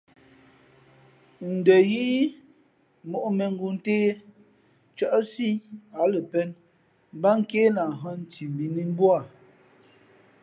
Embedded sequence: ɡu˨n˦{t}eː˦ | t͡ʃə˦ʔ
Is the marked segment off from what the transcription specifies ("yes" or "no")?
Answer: no